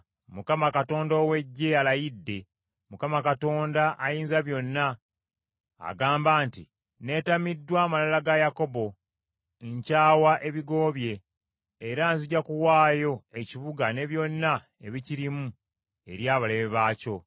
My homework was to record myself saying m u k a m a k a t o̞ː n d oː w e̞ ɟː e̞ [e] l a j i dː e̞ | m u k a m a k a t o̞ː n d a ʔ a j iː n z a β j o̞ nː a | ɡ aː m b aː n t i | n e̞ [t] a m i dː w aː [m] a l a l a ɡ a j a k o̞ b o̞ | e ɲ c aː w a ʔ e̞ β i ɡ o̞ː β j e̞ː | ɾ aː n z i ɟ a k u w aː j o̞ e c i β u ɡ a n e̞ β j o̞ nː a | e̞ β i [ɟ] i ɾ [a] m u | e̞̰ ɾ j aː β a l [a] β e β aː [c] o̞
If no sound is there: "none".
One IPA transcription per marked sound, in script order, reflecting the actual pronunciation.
a, t, m, c, i, e, c

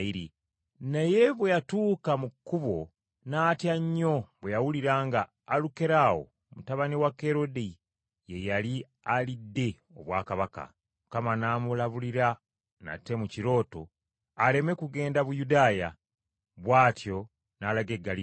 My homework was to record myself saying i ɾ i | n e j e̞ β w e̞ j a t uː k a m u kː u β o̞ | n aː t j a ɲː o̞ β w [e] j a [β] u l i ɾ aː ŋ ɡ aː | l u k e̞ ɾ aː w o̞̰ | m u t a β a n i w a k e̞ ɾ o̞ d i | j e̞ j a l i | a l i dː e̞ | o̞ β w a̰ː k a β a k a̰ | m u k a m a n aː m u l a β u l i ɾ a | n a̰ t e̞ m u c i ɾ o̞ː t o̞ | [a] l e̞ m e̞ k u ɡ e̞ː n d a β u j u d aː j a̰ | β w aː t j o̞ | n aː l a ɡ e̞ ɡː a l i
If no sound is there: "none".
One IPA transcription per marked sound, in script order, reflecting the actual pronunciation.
e, w, a

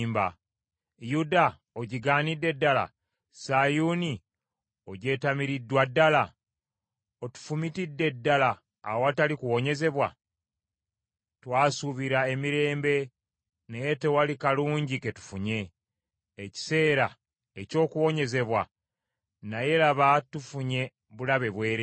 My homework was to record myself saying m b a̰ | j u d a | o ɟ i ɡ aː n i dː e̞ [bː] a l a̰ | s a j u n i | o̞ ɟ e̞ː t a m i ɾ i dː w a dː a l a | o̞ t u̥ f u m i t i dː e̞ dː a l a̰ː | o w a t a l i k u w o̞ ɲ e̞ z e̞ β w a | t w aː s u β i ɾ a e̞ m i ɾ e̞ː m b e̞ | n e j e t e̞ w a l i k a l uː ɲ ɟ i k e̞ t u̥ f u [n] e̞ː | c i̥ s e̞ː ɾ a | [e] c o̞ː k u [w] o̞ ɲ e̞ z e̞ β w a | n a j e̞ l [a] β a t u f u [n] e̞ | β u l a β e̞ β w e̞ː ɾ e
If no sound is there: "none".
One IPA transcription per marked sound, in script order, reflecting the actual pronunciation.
dː, ɲ, e, w, a, ɲ

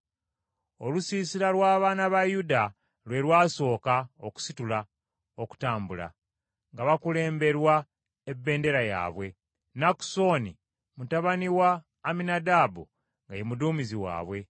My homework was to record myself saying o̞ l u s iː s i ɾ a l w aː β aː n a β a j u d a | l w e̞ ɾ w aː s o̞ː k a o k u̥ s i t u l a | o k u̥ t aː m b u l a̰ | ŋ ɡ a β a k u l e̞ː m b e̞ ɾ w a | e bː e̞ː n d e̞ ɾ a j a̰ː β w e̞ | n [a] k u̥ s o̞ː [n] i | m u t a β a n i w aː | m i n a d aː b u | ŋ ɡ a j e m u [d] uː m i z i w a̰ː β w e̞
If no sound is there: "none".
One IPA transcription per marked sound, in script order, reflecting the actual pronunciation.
a, n, d

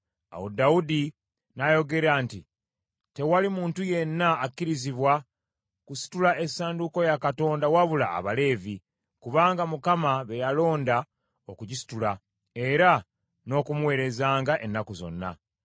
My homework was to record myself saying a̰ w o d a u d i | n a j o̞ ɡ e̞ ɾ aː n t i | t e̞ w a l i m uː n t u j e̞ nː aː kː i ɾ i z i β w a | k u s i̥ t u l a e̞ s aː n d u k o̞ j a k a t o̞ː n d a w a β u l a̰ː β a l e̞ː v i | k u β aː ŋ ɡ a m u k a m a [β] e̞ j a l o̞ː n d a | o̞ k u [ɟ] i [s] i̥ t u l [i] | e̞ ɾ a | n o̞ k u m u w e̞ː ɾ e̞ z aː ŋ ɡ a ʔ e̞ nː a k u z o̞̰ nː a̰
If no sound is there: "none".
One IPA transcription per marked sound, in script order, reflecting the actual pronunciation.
β, ɟ, s, a

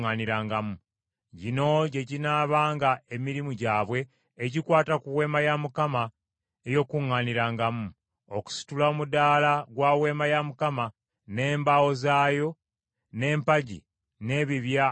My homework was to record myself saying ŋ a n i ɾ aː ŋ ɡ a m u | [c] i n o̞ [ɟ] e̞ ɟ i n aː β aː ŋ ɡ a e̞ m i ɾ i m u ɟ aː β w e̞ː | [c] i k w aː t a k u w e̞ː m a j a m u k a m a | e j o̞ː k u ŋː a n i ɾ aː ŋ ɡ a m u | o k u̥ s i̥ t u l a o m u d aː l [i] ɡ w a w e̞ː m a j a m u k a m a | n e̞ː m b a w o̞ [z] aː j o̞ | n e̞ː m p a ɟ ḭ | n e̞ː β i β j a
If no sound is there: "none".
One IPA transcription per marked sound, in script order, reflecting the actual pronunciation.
ɟ, ɟ, ɟ, a, z

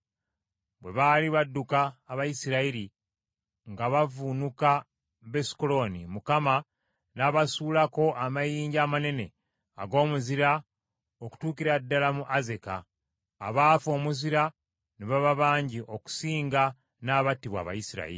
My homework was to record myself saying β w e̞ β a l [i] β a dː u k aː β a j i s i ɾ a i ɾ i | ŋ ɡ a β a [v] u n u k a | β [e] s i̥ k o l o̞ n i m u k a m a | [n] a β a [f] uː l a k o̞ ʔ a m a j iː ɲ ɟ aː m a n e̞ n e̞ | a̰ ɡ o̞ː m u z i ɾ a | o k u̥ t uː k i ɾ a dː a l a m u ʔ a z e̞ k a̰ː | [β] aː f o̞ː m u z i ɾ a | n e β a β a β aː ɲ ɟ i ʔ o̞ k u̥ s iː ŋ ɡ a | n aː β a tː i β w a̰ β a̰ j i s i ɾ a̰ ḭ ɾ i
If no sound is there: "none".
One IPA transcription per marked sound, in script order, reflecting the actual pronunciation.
i, v, e, n, s, β

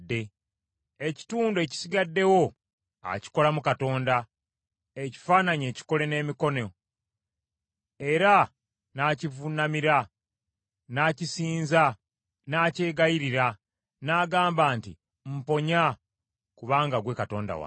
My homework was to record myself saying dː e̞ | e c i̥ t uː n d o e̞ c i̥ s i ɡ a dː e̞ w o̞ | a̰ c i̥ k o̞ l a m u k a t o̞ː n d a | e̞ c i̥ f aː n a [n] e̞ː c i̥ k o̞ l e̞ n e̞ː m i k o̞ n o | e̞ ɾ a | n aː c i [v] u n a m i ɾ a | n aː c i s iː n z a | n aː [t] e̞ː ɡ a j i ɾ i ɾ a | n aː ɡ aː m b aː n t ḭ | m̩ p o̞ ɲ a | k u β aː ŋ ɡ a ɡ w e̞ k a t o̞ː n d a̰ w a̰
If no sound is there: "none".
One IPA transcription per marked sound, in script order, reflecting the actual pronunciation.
ɲ, v, c

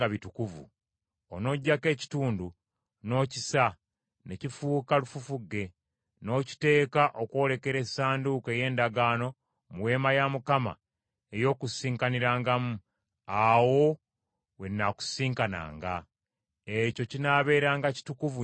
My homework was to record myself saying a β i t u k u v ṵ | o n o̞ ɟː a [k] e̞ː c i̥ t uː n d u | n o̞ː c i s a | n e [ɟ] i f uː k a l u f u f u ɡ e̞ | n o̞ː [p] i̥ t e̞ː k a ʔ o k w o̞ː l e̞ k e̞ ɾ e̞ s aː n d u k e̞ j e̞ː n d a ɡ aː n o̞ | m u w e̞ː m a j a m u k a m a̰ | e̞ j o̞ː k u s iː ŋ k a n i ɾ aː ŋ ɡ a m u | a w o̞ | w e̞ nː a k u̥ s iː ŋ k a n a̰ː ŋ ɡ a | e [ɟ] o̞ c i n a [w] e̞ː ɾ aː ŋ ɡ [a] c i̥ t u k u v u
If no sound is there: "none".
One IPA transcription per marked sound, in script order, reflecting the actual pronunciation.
k, c, c, c, β, a

